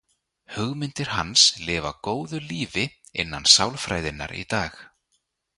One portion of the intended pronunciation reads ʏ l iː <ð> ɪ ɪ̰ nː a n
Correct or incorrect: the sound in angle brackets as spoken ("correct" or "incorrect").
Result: incorrect